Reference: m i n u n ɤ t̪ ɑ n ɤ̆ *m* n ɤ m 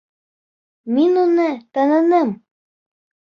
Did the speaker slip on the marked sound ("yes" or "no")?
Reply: yes